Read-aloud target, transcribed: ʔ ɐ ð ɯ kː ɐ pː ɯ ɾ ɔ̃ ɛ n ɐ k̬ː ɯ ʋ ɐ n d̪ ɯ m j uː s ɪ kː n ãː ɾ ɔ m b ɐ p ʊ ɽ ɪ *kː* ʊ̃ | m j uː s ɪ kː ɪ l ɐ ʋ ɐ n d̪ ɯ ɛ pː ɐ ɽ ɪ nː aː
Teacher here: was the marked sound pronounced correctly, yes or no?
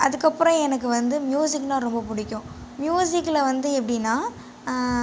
yes